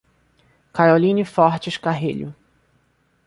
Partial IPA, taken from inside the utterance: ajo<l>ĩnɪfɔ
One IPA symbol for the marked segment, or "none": l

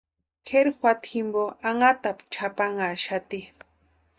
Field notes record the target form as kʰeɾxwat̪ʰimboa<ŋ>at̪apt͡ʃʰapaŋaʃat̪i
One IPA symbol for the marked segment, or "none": ŋ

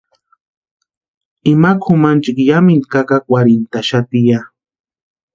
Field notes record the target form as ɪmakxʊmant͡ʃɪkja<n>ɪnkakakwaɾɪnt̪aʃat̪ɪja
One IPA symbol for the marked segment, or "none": m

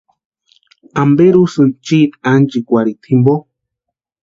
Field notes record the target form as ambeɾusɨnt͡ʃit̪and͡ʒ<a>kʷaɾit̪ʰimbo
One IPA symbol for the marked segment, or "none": i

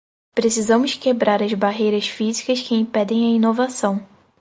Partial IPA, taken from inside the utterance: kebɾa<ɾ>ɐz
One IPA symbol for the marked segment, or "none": ɾ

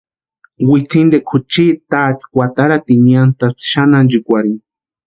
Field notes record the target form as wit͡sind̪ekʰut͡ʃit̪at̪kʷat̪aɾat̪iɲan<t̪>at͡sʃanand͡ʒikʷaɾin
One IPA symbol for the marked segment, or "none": t̪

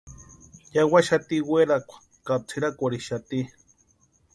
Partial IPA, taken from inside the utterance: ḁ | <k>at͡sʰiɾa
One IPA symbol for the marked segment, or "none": k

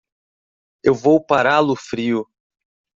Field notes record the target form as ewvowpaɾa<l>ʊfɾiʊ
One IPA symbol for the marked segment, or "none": l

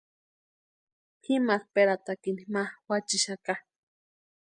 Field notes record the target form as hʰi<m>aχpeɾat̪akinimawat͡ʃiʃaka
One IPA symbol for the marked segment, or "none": m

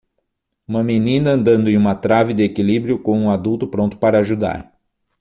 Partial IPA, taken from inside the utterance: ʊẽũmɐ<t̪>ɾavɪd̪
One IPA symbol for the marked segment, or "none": t̪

